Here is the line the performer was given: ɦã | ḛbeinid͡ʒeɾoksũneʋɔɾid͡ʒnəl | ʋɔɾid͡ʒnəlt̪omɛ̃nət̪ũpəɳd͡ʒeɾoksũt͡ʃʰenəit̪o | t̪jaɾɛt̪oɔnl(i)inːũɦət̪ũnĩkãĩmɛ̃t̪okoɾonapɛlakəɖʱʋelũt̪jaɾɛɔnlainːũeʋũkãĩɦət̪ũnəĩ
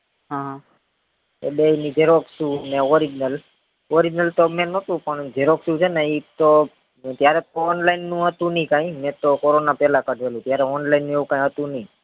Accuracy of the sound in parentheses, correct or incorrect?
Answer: incorrect